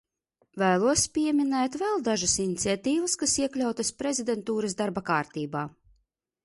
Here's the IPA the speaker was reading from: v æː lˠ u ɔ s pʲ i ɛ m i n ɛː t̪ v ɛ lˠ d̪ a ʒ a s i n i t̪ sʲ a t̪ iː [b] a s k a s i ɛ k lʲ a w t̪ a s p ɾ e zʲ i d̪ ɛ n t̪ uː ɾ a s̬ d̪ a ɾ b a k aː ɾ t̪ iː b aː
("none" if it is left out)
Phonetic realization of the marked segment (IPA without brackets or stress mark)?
v